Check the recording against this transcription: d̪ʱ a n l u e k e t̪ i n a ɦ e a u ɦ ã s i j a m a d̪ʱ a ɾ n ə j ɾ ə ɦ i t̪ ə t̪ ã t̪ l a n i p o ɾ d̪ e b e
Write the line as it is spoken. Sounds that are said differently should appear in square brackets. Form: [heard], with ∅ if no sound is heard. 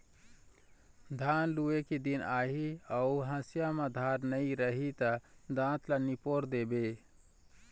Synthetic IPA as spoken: d̪ʱ a n l u e k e [d̪] i n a ɦ [i] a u ɦ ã s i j a m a d̪ʱ a ɾ n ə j ɾ ə ɦ i t̪ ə [d̪] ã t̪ l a n i p o ɾ d̪ e b e